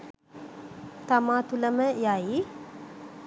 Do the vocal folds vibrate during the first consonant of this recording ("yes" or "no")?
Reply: no